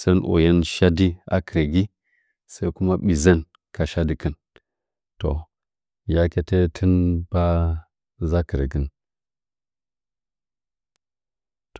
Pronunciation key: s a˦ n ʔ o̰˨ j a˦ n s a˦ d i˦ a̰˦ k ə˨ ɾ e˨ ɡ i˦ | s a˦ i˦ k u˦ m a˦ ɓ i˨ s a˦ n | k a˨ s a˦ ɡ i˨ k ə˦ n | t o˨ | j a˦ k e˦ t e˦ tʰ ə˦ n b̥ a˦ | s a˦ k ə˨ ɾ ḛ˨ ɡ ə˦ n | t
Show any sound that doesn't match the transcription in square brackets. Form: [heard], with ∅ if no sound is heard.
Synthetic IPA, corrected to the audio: s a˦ n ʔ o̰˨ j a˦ n [ʃ] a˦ d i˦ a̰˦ k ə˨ ɾ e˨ ɡ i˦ | s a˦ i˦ k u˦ m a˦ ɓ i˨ [z] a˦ n | k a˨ [ʃ] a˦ [d] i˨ k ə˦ n | t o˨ | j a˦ k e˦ t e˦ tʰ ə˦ n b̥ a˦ | [z] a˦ k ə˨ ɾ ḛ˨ ɡ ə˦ n | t